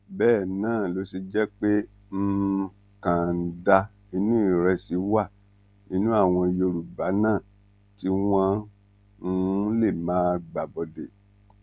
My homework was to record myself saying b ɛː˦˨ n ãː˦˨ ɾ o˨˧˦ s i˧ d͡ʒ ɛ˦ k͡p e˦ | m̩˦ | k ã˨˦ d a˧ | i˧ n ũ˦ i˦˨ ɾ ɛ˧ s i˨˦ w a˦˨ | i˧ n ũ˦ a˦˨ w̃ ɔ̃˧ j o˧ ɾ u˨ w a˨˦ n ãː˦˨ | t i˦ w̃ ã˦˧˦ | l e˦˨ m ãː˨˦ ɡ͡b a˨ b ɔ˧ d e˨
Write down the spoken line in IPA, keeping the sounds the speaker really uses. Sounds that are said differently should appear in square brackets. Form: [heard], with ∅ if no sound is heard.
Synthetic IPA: b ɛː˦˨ n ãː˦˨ [l] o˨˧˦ s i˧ d͡ʒ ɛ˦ k͡p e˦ | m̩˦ | k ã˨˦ d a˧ | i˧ n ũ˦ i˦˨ ɾ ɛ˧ s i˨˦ w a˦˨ | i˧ n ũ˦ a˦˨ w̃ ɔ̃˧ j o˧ ɾ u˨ [b] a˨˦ n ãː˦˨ | t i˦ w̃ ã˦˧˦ | l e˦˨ m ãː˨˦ ɡ͡b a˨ b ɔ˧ d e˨

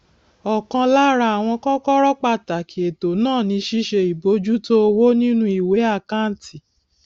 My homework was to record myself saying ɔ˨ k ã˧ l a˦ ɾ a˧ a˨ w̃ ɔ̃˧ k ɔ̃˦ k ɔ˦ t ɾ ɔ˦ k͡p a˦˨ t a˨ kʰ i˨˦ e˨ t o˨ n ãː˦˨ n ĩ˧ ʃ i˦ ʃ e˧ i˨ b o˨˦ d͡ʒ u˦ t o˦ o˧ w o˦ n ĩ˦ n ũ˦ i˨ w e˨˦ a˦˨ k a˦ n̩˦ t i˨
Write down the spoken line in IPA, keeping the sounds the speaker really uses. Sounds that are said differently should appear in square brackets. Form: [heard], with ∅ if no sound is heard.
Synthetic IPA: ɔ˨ k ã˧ l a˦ ɾ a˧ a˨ w̃ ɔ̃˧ k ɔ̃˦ k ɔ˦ [∅] ɾ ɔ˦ k͡p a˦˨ t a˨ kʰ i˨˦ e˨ t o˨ n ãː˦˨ n ĩ˧ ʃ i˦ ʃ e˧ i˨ b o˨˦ d͡ʒ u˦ t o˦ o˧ w o˦ n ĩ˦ n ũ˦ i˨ w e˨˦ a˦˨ k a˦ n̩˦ t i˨

